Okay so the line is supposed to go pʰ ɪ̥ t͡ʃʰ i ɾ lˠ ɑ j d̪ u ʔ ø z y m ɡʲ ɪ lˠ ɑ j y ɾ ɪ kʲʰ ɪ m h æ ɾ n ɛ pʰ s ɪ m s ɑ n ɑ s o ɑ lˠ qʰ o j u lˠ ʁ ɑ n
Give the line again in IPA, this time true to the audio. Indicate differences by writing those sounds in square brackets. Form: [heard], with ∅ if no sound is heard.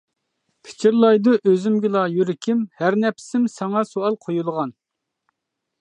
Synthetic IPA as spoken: pʰ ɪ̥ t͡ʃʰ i ɾ lˠ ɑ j d̪ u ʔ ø z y m ɡʲ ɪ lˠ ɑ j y ɾ ɪ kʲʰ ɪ m h æ ɾ n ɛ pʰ s ɪ m s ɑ [ŋ] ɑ s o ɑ lˠ qʰ o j u lˠ ʁ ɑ n